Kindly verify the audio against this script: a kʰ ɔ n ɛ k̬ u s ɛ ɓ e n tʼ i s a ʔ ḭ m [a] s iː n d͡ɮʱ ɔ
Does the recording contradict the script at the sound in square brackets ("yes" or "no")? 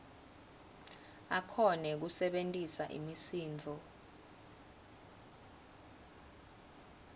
yes